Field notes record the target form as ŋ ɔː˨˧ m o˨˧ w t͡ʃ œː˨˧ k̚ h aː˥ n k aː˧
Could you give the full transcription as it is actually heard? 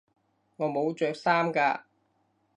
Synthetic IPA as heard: ŋ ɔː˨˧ m o˨˧ w t͡ʃ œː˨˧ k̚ s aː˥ m k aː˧